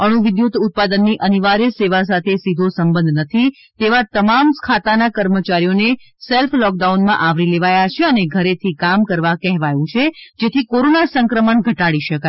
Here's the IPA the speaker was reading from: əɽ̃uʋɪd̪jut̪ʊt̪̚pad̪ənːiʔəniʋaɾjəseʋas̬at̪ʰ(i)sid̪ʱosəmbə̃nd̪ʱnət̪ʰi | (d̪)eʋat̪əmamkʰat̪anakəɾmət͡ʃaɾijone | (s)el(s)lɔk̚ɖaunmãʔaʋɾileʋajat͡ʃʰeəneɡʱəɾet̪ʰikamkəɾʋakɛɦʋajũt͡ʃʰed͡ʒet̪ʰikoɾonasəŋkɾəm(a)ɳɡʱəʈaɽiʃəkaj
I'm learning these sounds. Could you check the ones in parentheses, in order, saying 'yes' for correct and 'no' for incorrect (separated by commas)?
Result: no, no, yes, no, no